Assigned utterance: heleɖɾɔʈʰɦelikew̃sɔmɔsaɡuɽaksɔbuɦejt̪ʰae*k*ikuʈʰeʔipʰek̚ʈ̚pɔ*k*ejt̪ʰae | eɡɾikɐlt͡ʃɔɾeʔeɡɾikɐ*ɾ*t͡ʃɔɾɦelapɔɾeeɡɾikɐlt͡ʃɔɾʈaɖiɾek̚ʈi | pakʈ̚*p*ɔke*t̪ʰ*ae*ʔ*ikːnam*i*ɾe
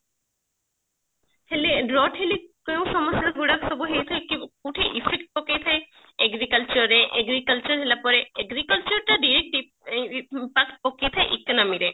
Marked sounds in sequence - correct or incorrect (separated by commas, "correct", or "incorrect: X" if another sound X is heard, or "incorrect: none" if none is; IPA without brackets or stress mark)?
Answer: correct, correct, incorrect: l, correct, correct, correct, correct